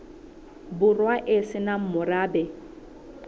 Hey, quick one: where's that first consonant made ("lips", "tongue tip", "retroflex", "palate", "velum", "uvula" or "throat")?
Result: lips